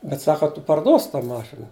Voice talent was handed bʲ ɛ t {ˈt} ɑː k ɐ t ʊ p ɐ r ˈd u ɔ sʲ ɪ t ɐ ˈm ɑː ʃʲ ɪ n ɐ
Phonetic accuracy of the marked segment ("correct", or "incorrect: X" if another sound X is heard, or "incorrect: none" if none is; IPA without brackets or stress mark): incorrect: s